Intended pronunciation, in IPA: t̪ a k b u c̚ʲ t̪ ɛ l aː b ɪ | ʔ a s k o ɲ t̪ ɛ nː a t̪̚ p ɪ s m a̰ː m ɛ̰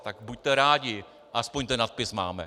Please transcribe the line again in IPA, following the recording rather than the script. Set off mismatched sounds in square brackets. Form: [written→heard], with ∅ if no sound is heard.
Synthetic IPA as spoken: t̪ a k b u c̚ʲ t̪ ɛ [l→ɾ] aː [b→ɟ] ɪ | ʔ a s [k→p] o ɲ t̪ ɛ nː a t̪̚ p ɪ s m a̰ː m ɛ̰

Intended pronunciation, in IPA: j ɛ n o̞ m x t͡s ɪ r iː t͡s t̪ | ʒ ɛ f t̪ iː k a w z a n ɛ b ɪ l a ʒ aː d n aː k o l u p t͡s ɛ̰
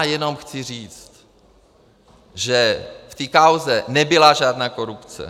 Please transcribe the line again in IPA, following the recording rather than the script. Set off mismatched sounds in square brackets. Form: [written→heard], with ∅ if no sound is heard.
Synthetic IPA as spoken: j ɛ n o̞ m x t͡s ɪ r iː t͡s t̪ | ʒ ɛ f t̪ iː k a w z [a→ɛ] n ɛ b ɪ l a ʒ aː d n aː k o [l→ɾ] u p t͡s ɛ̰

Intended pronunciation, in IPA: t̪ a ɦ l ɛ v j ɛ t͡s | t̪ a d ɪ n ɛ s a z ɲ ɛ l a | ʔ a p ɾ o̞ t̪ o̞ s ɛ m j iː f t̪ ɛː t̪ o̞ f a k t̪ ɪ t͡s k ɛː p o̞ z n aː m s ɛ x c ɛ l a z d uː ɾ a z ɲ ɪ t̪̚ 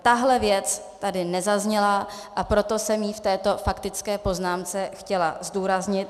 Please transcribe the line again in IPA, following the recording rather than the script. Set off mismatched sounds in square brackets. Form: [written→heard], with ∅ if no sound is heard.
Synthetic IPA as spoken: t̪ a ɦ l ɛ v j ɛ t͡s | t̪ a d ɪ n ɛ [s→z] a z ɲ ɛ l a | ʔ a p ɾ o̞ t̪ o̞ s ɛ m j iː f t̪ ɛː t̪ o̞ f a k t̪ ɪ t͡s k ɛː p o̞ z n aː m [s→t͡s] ɛ x c ɛ l a z d uː ɾ a z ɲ ɪ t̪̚

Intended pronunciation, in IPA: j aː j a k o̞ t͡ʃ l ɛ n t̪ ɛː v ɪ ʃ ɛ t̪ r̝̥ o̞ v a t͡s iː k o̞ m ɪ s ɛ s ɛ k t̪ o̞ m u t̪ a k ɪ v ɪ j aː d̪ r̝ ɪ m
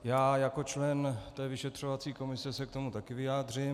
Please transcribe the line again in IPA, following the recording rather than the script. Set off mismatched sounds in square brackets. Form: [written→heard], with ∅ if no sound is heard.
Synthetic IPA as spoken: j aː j a k o̞ t͡ʃ l ɛ n t̪ ɛː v ɪ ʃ ɛ t̪ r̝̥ o̞ v a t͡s iː k o̞ m ɪ s ɛ s ɛ k t̪ o̞ m u t̪ a k ɪ v ɪ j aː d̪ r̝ ɪ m

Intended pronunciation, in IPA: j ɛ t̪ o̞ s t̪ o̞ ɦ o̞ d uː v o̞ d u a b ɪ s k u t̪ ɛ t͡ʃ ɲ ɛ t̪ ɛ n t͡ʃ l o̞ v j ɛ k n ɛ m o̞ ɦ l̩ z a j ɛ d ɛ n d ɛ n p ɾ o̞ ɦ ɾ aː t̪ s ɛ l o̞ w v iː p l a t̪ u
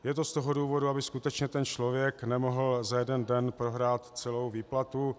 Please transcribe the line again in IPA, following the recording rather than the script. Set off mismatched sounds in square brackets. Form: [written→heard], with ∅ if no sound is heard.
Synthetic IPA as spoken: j ɛ t̪ o̞ s t̪ o̞ ɦ o̞ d uː v o̞ d u a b ɪ s k u t̪ ɛ t͡ʃ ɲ ɛ t̪ ɛ n t͡ʃ l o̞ v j ɛ k n ɛ m o̞ ɦ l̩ z a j ɛ d ɛ n d ɛ n p ɾ o̞ ɦ ɾ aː t̪ [s→t͡s] ɛ l o̞ w v iː p l a t̪ u

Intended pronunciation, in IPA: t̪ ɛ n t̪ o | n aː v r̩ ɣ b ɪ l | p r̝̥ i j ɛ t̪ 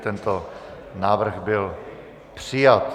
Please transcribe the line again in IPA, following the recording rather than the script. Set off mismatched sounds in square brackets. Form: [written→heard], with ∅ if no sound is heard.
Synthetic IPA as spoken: t̪ ɛ n t̪ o | n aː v r̩ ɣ b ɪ l | p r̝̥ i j [ɛ→a] t̪

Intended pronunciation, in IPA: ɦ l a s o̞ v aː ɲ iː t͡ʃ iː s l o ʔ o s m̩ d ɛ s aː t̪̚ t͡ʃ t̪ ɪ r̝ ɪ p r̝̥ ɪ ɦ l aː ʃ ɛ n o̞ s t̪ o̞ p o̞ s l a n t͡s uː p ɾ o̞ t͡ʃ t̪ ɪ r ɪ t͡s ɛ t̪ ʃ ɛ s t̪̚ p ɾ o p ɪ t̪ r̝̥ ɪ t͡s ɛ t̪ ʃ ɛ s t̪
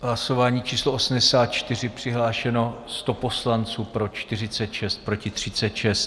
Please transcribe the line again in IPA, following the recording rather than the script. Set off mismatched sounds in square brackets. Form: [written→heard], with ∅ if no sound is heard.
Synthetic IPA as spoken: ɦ l a s o̞ v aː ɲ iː t͡ʃ iː s l o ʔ o s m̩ d ɛ s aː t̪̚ t͡ʃ t̪ ɪ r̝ ɪ p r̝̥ ɪ ɦ l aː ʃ ɛ n o̞ s t̪ o̞ p o̞ s l a n t͡s uː p ɾ o̞ t͡ʃ t̪ ɪ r ɪ t͡s ɛ t̪ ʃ ɛ s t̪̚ p ɾ o [p→c] ɪ t̪ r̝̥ ɪ t͡s ɛ t̪ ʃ ɛ s t̪

